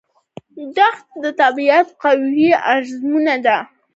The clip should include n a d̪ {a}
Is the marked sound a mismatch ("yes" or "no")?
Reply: no